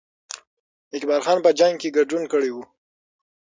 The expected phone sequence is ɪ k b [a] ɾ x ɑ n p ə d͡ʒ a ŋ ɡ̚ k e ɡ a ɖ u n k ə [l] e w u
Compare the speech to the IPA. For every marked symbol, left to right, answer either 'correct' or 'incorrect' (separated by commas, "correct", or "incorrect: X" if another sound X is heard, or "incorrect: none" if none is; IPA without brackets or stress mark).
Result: incorrect: ɑ, incorrect: ɽ